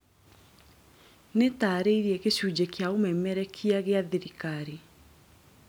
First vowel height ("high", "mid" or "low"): mid